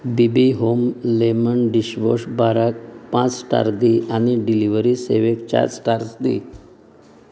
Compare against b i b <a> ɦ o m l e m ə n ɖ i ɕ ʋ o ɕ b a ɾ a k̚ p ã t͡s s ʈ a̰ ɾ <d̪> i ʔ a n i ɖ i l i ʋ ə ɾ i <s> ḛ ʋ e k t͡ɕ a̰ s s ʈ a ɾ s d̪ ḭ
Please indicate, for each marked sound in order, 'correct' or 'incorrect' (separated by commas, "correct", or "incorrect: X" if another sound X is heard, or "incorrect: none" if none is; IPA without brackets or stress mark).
incorrect: i, correct, correct